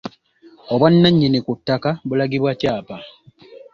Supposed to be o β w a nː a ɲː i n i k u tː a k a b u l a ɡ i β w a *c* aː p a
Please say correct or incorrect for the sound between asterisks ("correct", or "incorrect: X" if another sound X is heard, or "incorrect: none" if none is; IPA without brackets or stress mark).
correct